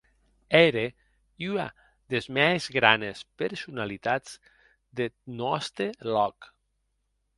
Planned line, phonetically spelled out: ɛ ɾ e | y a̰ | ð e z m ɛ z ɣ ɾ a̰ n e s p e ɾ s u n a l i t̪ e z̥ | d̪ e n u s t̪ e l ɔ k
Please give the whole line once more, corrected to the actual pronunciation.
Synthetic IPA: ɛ ɾ e | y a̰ | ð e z m ɛ z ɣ ɾ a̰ n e s p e ɾ s u n a l i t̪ a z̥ | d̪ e n ɔ s t̪ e l ɔ k